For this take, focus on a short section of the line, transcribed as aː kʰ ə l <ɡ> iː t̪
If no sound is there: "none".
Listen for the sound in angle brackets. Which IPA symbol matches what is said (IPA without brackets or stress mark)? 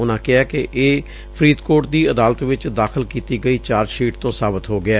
k